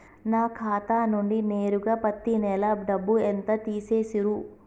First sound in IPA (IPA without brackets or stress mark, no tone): n